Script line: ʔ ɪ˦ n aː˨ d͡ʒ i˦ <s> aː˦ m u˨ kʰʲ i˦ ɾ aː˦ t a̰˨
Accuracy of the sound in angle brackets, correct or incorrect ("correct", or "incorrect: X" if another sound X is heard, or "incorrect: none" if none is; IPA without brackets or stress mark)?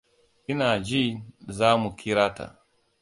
incorrect: z